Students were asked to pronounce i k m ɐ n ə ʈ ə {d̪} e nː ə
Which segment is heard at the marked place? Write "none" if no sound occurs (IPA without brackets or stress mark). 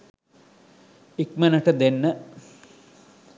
d̪